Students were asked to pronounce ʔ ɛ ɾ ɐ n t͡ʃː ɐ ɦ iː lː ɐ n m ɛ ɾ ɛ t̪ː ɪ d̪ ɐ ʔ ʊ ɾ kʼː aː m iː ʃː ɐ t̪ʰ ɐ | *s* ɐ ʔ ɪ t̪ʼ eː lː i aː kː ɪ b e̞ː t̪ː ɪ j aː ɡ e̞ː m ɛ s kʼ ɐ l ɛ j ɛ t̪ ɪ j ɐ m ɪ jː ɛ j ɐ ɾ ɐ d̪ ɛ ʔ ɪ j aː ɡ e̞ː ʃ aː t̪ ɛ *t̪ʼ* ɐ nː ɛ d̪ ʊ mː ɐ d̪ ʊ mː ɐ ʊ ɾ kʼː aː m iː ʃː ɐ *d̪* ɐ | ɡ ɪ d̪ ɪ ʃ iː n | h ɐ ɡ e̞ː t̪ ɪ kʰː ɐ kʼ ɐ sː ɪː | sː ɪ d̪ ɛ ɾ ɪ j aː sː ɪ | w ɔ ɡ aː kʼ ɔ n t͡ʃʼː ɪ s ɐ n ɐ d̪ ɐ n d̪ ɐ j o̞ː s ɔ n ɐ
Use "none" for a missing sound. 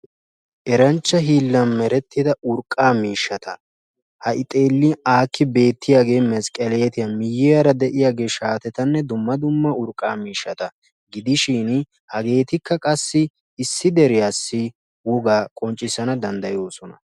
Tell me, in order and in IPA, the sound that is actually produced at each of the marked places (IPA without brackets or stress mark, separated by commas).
h, t̪, t̪